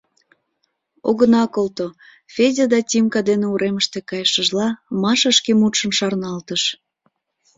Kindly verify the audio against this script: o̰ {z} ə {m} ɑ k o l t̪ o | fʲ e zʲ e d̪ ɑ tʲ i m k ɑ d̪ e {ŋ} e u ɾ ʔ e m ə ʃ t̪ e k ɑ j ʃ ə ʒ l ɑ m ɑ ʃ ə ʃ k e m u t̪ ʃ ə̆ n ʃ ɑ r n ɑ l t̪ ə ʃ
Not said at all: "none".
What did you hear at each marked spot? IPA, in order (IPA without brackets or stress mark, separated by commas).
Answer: ɣ, n, n